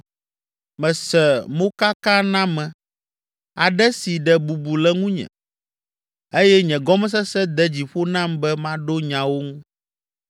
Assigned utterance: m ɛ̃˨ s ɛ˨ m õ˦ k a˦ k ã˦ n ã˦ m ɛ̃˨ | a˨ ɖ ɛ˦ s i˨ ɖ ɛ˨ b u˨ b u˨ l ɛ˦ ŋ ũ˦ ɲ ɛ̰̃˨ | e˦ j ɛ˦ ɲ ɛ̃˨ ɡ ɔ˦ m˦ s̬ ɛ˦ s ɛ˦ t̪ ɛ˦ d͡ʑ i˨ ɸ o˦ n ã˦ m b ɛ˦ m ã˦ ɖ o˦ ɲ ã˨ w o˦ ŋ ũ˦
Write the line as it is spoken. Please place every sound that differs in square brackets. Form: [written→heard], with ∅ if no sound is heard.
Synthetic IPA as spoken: m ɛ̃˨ s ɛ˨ m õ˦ k a˦ k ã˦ n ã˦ m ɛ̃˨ | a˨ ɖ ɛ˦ s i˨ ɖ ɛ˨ b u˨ b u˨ l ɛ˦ ŋ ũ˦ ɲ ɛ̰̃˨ | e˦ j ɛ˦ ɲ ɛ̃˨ ɡ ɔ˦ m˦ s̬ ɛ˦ s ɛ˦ [t̪→d̪] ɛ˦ d͡ʑ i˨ ɸ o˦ n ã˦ m b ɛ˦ m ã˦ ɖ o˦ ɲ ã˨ w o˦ ŋ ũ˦